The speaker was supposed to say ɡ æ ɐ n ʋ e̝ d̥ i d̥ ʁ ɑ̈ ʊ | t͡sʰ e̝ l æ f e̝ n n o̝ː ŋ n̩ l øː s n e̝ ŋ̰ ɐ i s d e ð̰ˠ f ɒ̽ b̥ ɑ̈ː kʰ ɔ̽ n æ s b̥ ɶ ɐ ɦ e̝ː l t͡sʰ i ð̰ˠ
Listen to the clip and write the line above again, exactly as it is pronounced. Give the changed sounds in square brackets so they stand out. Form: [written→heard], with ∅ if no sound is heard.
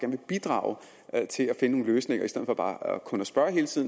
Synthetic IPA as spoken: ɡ æ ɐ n ʋ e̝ [d̥→b̥] i d̥ ʁ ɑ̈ ʊ | t͡sʰ e̝ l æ f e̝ n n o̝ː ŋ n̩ l øː s n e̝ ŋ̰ ɐ i s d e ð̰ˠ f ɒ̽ b̥ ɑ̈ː kʰ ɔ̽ n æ s b̥ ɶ ɐ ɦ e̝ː l t͡sʰ i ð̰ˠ

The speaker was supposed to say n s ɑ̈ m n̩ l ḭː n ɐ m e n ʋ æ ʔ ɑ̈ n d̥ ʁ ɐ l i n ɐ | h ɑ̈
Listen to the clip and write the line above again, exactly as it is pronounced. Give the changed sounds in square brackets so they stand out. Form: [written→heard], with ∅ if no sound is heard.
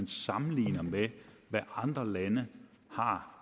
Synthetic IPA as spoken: n s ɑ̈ m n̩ l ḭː n ɐ m e [n→∅] ʋ æ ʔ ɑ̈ n d̥ ʁ ɐ l [i→æ] n [ɐ→ə] | h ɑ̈

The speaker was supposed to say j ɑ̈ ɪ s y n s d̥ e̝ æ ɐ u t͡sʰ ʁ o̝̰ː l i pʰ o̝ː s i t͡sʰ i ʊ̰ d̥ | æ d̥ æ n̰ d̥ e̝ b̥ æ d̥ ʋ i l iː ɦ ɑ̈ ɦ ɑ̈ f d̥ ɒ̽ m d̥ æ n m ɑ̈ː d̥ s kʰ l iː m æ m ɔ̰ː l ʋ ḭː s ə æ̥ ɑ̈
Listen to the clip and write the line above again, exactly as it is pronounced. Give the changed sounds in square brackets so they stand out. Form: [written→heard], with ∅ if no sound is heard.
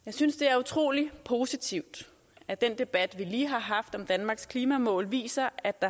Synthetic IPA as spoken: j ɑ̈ ɪ s y n s d̥ e̝ æ ɐ u t͡sʰ ʁ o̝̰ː l i pʰ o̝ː s i t͡sʰ i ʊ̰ d̥ | æ d̥ [æ→e] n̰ d̥ e̝ b̥ æ d̥ ʋ i l iː ɦ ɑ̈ ɦ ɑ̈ f d̥ ɒ̽ m d̥ æ n m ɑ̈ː [d̥→ɡ̥] s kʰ l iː m æ m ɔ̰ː l ʋ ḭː s [ə→ɐ] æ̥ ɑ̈

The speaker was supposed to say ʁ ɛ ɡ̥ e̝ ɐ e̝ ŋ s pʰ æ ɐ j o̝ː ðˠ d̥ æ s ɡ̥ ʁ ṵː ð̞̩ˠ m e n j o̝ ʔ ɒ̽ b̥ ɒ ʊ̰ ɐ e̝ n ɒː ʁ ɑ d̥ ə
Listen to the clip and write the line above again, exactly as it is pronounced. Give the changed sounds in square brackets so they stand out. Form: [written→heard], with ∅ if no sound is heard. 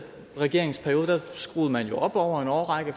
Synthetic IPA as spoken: ʁ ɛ ɡ̥ e̝ ɐ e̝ ŋ s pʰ æ ɐ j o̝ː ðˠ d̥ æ s ɡ̥ ʁ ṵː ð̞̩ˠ m [e→æ] n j o̝ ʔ ɒ̽ b̥ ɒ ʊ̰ ɐ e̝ n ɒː ʁ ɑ [d̥→ɡ̥] ə

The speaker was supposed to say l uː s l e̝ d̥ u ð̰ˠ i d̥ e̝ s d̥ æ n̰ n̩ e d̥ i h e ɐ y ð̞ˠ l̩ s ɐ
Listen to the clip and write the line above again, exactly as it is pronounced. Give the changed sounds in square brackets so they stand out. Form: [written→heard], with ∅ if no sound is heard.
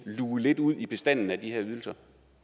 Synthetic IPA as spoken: l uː [s→∅] l e̝ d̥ u ð̰ˠ i [d̥→b̥] e̝ s d̥ æ n̰ n̩ [e→æ] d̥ i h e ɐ y ð̞ˠ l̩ s ɐ

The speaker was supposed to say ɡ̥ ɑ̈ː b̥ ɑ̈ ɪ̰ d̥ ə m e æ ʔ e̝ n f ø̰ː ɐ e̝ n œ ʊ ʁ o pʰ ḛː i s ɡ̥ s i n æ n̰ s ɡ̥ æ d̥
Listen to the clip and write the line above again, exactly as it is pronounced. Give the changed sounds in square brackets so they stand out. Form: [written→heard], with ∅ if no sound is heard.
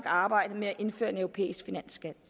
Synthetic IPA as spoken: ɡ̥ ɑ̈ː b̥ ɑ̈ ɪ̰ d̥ ə m e æ ʔ e̝ n f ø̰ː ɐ e̝ n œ ʊ ʁ o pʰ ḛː i s ɡ̥ [s→f] i n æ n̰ s ɡ̥ æ d̥

